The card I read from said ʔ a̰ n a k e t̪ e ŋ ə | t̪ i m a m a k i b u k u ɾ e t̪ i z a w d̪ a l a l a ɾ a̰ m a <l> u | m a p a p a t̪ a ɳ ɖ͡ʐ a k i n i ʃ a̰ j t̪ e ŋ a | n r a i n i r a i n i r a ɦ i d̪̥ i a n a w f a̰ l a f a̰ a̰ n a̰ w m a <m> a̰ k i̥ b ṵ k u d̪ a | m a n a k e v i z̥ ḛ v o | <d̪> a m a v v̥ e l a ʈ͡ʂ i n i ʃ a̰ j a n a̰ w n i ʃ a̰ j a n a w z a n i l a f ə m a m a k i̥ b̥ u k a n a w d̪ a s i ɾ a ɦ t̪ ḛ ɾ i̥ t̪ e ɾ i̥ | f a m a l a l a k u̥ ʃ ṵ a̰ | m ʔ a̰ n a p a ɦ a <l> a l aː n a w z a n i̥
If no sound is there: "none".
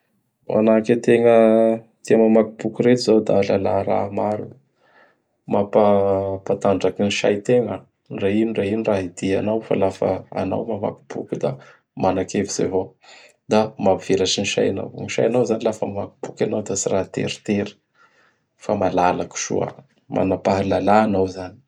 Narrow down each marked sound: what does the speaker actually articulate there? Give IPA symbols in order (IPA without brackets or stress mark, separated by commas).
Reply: ɾ, m, d̪, l